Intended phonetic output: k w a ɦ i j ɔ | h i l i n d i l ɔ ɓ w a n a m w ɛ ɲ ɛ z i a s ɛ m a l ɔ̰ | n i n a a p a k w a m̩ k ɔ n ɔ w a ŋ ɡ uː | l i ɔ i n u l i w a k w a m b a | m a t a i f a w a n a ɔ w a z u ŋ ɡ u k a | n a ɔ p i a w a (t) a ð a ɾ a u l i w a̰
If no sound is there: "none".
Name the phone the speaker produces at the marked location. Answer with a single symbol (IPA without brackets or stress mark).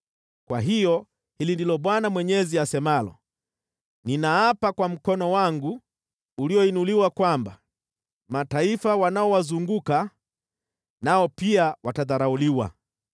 t